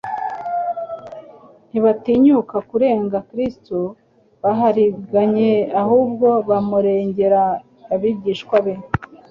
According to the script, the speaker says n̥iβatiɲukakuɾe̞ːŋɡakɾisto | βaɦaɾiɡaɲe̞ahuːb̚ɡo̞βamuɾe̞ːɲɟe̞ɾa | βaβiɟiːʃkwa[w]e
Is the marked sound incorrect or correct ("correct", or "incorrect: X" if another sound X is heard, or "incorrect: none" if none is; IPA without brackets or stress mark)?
incorrect: β